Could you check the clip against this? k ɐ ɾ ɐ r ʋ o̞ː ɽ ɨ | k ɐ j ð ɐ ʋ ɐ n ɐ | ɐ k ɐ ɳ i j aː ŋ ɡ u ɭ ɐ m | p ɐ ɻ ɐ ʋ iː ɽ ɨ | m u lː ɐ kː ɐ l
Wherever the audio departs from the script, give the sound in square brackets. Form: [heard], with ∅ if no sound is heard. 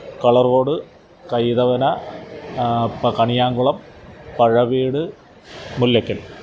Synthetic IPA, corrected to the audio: k ɐ [ɭ] ɐ r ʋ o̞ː ɽ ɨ | k ɐ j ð ɐ ʋ ɐ n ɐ | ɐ k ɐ ɳ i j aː ŋ ɡ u ɭ ɐ m | p ɐ ɻ ɐ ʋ iː ɽ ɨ | m u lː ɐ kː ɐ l